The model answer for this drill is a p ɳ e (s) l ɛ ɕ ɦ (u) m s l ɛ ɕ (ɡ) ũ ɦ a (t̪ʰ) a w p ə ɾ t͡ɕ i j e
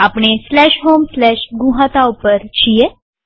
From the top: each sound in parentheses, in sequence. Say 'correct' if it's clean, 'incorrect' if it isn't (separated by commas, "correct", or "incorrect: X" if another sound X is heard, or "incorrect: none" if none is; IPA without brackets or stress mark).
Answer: correct, incorrect: o, correct, incorrect: t̪